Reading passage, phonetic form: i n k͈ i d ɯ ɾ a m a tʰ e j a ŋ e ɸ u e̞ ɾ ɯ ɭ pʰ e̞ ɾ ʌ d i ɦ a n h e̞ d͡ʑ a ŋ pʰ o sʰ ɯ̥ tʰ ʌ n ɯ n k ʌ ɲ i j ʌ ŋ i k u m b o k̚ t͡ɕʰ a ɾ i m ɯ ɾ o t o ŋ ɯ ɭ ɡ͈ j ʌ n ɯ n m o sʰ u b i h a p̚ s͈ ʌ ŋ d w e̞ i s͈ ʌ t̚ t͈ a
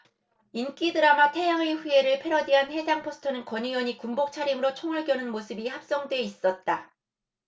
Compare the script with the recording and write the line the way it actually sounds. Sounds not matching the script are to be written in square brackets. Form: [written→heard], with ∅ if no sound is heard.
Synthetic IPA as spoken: i n k͈ i d ɯ ɾ a m a tʰ e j a ŋ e ɸ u e̞ ɾ ɯ ɭ pʰ e̞ ɾ ʌ d i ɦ a n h e̞ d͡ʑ a ŋ pʰ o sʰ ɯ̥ tʰ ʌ n ɯ n k ʌ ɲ i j ʌ [ŋ→ɲ] i k u m b o k̚ t͡ɕʰ a ɾ i m ɯ ɾ o [t→t͡ɕʰ] o ŋ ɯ ɭ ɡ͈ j ʌ n ɯ n m o sʰ [u→ɯ] b i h a p̚ s͈ ʌ ŋ d w e̞ i s͈ ʌ t̚ t͈ a